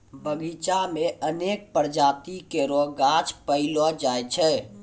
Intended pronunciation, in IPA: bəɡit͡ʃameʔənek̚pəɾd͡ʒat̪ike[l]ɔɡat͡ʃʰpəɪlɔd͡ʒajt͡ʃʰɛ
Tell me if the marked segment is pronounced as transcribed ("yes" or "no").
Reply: no